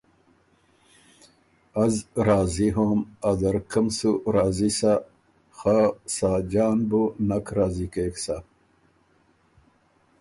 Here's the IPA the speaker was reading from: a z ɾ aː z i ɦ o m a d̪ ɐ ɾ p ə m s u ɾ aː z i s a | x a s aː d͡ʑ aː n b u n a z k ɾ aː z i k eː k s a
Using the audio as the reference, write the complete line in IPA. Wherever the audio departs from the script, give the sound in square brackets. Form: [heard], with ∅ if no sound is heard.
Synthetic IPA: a z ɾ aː z i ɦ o m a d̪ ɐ ɾ [k] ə m s u ɾ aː z i s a | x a s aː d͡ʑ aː n b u n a [∅] k ɾ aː z i k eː k s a

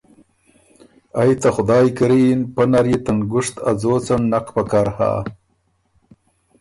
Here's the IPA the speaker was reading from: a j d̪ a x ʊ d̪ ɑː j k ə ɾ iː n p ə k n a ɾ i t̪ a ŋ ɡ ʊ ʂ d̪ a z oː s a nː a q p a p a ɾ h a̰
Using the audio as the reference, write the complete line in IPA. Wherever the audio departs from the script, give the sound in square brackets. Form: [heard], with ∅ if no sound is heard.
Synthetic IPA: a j [t̪] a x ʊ d̪ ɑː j k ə ɾ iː n p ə [∅] n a ɾ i t̪ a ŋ ɡ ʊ ʂ [t̪] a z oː [t͡s] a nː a q p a [k] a ɾ h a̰

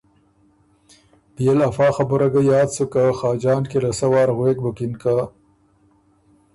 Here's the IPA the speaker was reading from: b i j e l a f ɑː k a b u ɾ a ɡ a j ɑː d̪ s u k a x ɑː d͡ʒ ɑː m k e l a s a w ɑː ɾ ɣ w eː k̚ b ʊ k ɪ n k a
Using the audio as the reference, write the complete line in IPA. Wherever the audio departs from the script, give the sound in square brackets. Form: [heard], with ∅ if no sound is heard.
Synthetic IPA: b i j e l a f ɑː [x] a b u ɾ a ɡ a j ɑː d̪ s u k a x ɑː d͡ʒ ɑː [n] k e l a s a w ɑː ɾ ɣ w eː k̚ b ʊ k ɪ n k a

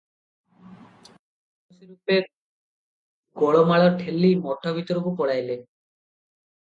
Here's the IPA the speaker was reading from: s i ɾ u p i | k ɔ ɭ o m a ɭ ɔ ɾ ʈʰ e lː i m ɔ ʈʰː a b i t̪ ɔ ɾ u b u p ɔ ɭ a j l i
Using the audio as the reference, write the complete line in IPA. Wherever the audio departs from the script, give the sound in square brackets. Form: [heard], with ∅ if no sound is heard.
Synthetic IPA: s i ɾ u p [e] | [ɡ] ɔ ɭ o m a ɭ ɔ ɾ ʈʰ e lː i m ɔ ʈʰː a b i t̪ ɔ ɾ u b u p ɔ [ɽ] a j l [e]

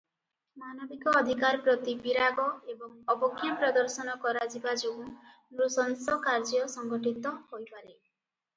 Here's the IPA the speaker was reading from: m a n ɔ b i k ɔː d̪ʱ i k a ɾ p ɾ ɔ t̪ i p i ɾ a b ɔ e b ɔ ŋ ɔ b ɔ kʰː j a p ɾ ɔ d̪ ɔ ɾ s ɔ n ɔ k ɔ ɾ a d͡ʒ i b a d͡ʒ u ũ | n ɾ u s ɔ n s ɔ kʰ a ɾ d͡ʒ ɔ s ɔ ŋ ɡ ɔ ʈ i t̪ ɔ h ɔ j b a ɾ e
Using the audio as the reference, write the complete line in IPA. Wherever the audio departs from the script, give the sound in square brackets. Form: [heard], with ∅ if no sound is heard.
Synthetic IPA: m a n ɔ b i k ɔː d̪ʱ i k a ɾ p ɾ ɔ t̪ i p i ɾ a [ɡ] ɔ e b ɔ ŋ ɔ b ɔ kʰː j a p ɾ ɔ d̪ ɔ ɾ s ɔ n ɔ k ɔ ɾ a d͡ʒ i b a d͡ʒ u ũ | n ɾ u s ɔ n s ɔ [k] a ɾ d͡ʒ ɔ s ɔ ŋ ɡ ɔ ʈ i t̪ ɔ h [o] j [p] a ɾ e

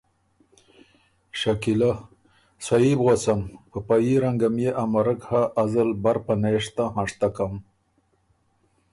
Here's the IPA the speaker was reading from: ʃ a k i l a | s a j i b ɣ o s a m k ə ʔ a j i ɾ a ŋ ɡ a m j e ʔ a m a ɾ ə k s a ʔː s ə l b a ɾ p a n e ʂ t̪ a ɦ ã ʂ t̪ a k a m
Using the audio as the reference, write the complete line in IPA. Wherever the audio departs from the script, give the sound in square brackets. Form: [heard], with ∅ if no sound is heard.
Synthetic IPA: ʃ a k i l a | s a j i b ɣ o s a m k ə [p] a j i ɾ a ŋ ɡ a m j e ʔ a m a ɾ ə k [h] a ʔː [z] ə l b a ɾ p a n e ʂ t̪ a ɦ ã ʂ t̪ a k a m

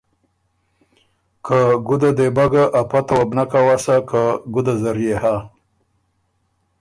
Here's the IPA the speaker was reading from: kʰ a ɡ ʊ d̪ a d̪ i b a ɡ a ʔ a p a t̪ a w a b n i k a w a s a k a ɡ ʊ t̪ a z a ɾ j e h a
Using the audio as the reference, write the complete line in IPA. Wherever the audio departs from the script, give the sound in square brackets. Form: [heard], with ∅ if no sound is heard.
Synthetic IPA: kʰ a ɡ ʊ d̪ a d̪ [e] b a ɡ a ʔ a p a t̪ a w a b n [a] k a w a s a k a ɡ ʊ [d̪] a z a ɾ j e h a

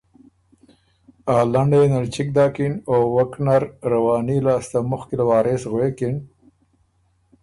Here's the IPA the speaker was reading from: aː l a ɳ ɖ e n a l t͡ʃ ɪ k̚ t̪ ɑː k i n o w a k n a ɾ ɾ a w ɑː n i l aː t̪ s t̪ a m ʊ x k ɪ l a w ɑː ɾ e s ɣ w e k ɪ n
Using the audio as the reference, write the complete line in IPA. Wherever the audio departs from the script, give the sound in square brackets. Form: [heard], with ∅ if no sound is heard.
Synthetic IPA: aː l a ɳ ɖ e n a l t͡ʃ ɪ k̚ [d̪] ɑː k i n o w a k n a ɾ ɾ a w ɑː n i l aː [∅] s t̪ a m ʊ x k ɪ l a w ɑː ɾ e s ɣ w e k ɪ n

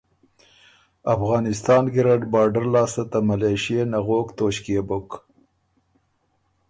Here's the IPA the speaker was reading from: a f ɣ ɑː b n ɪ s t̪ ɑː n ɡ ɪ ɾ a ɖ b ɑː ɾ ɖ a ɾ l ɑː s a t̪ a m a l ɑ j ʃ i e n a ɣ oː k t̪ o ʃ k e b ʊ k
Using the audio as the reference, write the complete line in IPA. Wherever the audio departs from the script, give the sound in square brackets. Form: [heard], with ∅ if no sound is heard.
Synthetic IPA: a f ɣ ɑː [∅] n ɪ s t̪ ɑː n ɡ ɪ ɾ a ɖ b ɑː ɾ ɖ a ɾ l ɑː s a t̪ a m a l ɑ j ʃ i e n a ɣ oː k t̪ o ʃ k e b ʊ k

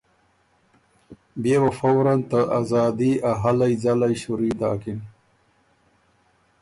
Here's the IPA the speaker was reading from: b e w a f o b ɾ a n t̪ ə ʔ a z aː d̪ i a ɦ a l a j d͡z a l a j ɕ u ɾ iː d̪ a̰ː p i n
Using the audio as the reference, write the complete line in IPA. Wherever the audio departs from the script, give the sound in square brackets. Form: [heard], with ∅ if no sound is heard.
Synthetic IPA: b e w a f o [w] ɾ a n t̪ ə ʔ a z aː d̪ i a ɦ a l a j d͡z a l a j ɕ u ɾ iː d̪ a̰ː [k] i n

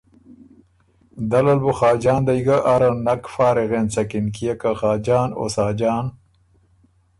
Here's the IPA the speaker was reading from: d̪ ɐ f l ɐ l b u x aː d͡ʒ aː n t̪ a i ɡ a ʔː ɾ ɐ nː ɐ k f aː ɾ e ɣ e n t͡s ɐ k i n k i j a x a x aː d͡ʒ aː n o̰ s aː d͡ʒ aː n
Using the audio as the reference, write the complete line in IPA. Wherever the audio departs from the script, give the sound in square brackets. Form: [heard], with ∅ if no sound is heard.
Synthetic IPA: d̪ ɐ [∅] l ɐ l b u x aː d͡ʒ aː n [d̪] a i ɡ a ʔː ɾ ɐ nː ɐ k f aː ɾ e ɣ e n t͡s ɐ k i n k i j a [k] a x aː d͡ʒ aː n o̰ s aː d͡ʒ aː n

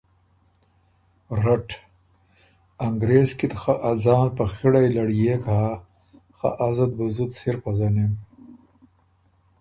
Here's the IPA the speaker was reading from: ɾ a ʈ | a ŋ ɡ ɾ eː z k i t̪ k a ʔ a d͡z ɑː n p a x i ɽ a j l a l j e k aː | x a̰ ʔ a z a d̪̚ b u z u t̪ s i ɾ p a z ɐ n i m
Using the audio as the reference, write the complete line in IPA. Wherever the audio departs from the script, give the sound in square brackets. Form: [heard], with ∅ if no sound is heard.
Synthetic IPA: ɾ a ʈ | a ŋ ɡ ɾ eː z k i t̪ [x] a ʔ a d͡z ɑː n p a x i ɽ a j l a [ɽ] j e k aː | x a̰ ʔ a z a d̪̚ b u z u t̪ s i ɾ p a z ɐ n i m

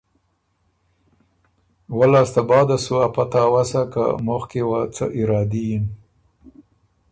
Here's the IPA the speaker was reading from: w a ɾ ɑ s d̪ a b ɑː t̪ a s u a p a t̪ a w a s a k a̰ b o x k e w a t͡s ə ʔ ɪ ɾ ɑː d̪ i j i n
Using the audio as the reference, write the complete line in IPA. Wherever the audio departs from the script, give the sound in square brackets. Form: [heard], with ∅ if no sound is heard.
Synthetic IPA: w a [l] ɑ s [t̪] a b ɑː [d̪] a s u a p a t̪ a w a s a k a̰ [m] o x k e w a t͡s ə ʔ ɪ ɾ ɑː d̪ i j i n

